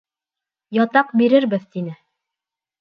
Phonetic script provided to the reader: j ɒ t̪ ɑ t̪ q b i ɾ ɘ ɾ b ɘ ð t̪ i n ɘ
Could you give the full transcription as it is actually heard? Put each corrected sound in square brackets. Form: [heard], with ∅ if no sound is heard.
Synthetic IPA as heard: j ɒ t̪ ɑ [∅] q b i ɾ ɘ ɾ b ɘ ð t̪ i n ɘ